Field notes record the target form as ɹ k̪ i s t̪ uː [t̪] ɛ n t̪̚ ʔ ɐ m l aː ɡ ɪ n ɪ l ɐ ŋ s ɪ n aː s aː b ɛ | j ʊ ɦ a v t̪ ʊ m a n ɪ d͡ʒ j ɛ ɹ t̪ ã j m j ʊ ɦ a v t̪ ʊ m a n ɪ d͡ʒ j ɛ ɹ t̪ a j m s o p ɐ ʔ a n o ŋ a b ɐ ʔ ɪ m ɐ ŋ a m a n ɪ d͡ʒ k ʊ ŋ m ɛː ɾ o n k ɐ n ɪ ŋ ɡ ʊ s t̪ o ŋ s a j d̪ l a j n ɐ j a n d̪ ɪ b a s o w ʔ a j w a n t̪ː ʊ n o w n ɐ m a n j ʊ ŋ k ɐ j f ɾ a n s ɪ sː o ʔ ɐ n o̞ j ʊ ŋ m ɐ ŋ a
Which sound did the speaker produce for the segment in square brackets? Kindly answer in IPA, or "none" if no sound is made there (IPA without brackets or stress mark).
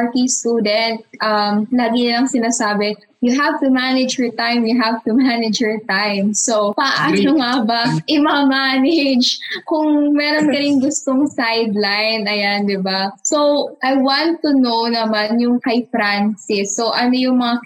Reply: d̪